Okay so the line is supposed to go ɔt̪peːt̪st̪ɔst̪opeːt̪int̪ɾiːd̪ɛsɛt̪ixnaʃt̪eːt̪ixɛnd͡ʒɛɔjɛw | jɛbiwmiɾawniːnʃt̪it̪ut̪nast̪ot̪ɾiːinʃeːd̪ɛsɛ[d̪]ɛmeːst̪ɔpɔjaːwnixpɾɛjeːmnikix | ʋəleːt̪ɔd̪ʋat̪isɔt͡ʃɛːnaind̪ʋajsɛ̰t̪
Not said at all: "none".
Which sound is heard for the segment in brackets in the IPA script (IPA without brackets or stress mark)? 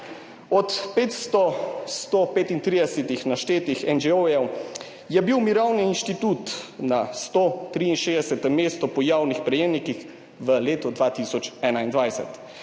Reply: t̪